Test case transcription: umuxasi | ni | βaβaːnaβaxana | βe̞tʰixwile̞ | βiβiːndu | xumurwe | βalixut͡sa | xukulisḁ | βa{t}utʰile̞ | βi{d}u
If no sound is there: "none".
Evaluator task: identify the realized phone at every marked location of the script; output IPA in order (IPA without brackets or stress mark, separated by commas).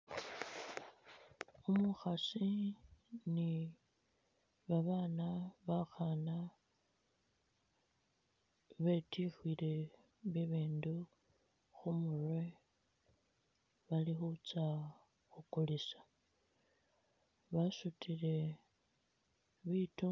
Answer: s, t